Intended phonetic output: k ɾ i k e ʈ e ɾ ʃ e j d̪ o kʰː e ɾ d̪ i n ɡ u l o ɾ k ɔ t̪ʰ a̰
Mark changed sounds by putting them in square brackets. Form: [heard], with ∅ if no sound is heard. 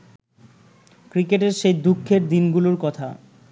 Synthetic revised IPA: k ɾ i k e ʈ e ɾ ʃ e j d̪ [u] kʰː e ɾ d̪ i n ɡ u l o ɾ k ɔ t̪ʰ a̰